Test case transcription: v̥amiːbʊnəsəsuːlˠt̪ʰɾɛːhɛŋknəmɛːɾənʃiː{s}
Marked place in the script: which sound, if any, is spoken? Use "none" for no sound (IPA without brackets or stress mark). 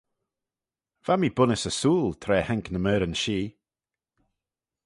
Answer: none